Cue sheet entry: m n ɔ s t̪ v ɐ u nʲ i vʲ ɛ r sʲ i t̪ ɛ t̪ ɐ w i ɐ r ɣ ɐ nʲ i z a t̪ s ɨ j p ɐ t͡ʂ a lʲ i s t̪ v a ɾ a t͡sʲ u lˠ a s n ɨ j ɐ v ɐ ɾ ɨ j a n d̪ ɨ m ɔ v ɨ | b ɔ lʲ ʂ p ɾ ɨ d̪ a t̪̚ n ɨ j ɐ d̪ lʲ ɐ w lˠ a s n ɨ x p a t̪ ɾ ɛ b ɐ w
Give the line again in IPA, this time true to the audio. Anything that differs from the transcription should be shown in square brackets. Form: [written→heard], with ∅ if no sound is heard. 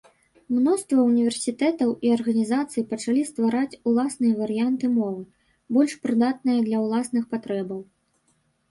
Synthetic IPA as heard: m n ɔ s t̪ v ɐ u nʲ i vʲ ɛ r sʲ i t̪ ɛ t̪ ɐ w i ɐ r ɣ ɐ nʲ i z a t̪ s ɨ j p ɐ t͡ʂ a lʲ i s t̪ v a ɾ a t͡sʲ u lˠ a s n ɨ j ɐ v ɐ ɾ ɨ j a n [d̪→t̪] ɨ m ɔ v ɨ | b ɔ lʲ ʂ p ɾ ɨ d̪ a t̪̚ n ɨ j ɐ d̪ lʲ ɐ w lˠ a s n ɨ x p a t̪ ɾ ɛ b ɐ w